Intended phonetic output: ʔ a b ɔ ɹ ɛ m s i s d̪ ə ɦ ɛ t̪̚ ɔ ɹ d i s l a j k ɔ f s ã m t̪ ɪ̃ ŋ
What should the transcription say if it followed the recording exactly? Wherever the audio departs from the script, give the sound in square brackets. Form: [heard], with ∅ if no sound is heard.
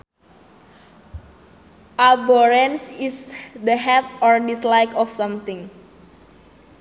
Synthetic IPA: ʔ a b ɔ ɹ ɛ [n] s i s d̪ ə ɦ ɛ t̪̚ ɔ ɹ d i s l a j k ɔ f s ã m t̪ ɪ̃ ŋ